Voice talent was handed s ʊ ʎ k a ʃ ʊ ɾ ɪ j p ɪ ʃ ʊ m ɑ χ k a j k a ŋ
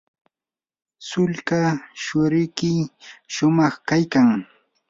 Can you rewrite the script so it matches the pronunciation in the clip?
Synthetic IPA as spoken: s ʊ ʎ k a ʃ ʊ ɾ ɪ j k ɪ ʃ ʊ m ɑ χ k a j k a ŋ